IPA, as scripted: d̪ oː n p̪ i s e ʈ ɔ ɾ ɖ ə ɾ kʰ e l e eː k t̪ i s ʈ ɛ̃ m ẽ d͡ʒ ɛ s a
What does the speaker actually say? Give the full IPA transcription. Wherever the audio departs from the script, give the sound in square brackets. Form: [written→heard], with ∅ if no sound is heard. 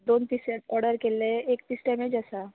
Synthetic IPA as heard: d̪ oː n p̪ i s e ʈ ɔ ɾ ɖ ə ɾ [kʰ→k] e l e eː k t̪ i s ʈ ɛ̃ m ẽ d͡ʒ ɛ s a